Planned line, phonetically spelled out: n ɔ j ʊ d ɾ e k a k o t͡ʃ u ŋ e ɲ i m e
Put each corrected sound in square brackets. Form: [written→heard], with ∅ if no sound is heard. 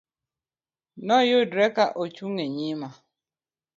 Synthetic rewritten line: n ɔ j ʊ d ɾ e k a [k→ʔ] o t͡ʃ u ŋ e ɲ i m [e→a]